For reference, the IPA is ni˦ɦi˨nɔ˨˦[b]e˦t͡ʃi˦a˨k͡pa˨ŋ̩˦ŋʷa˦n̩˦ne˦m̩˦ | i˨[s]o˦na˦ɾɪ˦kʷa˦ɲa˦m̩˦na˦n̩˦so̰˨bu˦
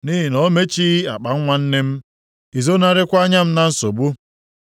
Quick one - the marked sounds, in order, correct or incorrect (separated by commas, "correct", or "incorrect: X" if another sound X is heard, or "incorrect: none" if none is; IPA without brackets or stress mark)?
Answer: incorrect: m, incorrect: z